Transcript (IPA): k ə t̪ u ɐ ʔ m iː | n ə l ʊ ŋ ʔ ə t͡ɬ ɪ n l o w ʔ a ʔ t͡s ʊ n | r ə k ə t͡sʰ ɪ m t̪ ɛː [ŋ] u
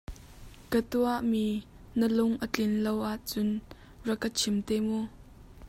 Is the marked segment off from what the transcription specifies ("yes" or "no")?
yes